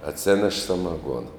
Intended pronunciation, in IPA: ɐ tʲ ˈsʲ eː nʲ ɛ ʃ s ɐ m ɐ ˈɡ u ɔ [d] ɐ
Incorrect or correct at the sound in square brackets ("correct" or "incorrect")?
incorrect